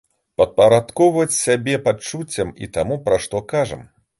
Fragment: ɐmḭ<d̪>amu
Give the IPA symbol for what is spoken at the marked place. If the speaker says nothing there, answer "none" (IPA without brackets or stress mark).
t̪